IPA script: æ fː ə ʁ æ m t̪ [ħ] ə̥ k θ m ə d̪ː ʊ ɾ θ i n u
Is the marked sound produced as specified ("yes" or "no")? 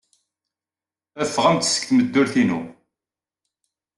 no